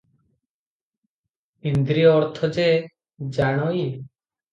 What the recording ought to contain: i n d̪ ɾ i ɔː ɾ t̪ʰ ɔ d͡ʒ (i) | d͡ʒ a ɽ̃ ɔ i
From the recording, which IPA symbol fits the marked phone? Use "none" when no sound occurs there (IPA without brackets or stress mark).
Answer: e